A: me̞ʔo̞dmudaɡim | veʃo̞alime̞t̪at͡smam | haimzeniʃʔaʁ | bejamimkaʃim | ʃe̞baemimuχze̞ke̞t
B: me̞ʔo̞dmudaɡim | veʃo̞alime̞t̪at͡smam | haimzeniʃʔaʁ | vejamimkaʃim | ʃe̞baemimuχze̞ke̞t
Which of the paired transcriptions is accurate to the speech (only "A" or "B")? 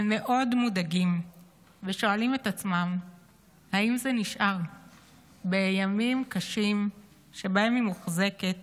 A